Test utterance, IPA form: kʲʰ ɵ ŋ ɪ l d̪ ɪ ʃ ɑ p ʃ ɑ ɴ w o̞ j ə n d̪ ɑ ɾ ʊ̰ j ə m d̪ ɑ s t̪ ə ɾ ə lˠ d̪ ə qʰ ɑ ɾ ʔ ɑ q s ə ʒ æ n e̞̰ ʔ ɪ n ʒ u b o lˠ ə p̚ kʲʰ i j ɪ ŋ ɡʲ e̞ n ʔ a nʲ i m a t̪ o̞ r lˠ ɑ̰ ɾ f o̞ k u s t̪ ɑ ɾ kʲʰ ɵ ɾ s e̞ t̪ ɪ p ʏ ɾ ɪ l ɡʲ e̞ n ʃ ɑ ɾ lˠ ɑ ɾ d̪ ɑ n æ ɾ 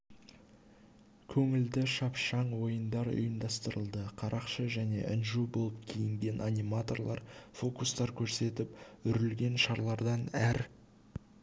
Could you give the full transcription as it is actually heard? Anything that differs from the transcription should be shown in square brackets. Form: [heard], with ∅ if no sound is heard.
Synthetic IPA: kʲʰ ɵ ŋ ɪ l d̪ ɪ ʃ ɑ p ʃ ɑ ɴ w o̞ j ə n d̪ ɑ ɾ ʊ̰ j ə m d̪ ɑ s t̪ ə ɾ ə lˠ d̪ ə qʰ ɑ ɾ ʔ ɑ q [ʃ] ə ʒ æ n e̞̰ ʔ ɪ n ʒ u b o lˠ ə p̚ kʲʰ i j ɪ ŋ ɡʲ e̞ n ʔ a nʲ i m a t̪ o̞ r lˠ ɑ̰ ɾ f o̞ k u s t̪ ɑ ɾ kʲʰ ɵ ɾ s e̞ t̪ ɪ p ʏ ɾ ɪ l ɡʲ e̞ n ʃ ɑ ɾ lˠ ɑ ɾ d̪ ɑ n æ ɾ